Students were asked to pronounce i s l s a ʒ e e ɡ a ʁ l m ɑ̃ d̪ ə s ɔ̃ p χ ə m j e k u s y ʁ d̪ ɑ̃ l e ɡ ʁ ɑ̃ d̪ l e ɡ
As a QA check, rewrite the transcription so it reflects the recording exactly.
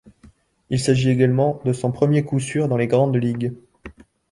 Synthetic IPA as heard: i l s a ʒ i e ɡ a l m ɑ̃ d̪ ə s ɔ̃ p χ ə m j e k u s y ʁ d̪ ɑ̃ l e ɡ ʁ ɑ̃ d̪ l i ɡ